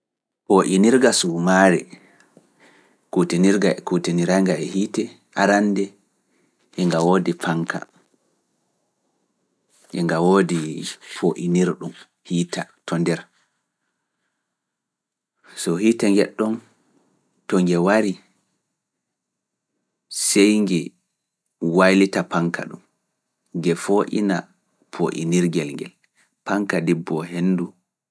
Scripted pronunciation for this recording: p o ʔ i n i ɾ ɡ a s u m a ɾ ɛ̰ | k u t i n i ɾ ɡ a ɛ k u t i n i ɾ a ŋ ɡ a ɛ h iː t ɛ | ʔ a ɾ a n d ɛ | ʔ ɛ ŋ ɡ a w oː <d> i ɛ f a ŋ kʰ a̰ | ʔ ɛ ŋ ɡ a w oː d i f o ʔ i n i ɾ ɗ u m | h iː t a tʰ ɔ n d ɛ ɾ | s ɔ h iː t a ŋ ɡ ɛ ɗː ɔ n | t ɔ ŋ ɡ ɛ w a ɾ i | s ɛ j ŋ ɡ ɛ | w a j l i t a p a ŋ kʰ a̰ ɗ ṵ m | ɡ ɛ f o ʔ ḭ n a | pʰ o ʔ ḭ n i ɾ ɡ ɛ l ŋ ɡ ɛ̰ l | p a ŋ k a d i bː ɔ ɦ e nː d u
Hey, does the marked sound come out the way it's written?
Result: yes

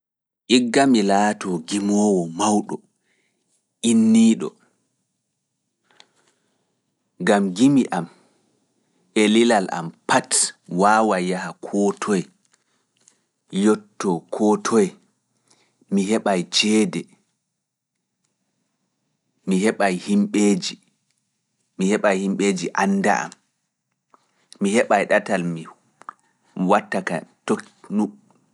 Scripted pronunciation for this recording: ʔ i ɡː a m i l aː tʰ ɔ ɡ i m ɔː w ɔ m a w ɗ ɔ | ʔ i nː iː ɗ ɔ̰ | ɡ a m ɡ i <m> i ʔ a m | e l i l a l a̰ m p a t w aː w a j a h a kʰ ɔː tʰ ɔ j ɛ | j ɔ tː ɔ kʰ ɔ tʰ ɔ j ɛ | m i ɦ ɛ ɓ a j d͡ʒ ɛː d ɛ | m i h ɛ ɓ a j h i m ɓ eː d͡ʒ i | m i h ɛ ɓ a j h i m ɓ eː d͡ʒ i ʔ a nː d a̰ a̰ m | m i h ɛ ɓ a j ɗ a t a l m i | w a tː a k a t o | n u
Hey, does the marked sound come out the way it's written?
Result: yes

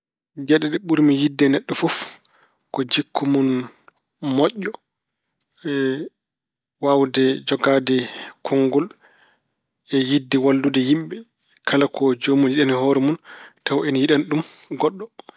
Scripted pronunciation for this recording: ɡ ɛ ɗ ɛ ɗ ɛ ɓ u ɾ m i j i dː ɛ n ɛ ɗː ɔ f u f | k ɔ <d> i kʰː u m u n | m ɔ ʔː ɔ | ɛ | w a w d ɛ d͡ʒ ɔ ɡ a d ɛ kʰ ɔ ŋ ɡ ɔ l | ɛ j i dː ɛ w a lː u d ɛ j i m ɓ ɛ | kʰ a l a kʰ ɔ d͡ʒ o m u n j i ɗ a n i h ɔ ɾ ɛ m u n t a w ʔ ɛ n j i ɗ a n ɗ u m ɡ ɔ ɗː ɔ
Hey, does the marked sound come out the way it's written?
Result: no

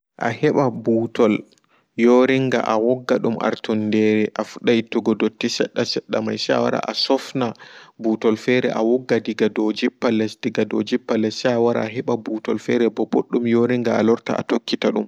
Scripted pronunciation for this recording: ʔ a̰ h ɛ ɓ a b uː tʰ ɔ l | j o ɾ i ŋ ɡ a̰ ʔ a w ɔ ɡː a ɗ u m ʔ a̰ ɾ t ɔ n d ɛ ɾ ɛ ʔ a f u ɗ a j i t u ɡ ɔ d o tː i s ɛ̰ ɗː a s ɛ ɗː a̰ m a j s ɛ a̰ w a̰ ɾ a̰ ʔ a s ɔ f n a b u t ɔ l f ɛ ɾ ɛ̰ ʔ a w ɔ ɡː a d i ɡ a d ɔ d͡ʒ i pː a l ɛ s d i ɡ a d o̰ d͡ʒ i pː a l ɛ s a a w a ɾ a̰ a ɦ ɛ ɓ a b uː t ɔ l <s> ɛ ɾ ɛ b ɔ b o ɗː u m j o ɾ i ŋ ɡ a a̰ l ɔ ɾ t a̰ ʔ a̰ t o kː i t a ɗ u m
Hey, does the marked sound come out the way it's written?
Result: no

